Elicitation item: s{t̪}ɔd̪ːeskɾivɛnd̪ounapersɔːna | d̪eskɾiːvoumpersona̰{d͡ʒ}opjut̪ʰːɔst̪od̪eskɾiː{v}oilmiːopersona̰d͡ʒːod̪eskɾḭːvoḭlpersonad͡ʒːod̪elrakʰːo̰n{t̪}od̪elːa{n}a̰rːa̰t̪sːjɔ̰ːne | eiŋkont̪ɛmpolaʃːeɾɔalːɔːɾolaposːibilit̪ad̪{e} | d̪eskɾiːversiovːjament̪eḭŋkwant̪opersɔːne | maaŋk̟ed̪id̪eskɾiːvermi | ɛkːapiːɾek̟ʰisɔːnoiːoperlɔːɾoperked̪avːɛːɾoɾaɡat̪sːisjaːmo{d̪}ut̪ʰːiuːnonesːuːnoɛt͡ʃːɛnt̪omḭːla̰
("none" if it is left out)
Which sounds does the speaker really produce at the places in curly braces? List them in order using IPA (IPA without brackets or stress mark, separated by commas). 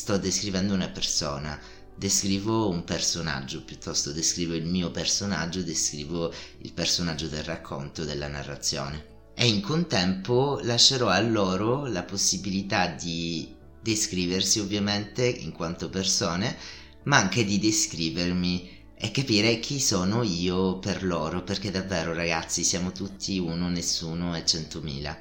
t̪, d͡ʒː, v, t̪, n, i, t̪